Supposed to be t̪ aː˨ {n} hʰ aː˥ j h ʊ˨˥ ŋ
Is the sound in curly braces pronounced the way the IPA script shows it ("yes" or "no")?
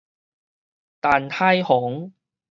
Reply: yes